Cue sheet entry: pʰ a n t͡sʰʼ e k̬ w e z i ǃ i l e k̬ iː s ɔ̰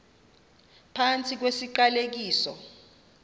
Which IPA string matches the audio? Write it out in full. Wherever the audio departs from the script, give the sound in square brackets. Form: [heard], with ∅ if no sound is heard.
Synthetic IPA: pʰ a n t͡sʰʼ [i] k̬ w e [s] i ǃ [a] l e k̬ iː s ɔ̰